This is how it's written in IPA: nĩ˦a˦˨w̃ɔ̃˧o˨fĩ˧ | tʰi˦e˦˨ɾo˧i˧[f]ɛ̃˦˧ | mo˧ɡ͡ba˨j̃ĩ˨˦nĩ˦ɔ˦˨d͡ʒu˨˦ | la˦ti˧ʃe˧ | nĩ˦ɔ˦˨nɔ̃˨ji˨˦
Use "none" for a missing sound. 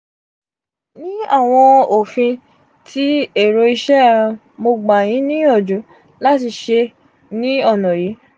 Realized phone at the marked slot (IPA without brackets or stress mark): ʃ